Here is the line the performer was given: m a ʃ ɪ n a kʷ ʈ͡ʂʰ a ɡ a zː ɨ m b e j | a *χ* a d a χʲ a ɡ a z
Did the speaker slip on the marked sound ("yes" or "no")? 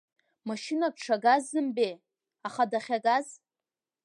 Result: no